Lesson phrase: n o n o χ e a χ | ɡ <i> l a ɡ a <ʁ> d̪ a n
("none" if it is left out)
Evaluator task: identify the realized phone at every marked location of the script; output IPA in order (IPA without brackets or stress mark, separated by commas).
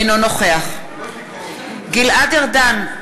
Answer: i, ʁ